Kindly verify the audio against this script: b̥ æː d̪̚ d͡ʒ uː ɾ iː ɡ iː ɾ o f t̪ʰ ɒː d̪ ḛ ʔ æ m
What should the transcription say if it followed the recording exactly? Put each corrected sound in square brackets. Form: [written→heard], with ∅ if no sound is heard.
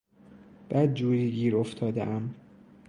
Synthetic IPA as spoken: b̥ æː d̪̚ d͡ʒ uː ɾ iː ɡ iː ɾ o f t̪ʰ ɒː d̪ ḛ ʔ æ m